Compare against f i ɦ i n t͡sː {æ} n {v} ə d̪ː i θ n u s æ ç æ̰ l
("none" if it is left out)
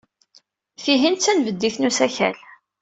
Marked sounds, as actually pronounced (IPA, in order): æ, v

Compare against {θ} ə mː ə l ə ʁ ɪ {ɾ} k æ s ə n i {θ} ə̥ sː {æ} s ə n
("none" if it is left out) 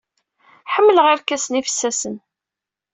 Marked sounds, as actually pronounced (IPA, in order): ħ, ɾ, f, æ

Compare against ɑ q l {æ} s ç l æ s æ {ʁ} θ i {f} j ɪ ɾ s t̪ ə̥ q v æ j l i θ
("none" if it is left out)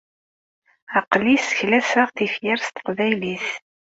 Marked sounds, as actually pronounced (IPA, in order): i, ʁ, f

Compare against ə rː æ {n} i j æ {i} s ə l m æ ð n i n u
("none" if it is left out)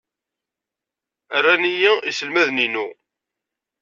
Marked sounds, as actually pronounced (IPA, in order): n, i

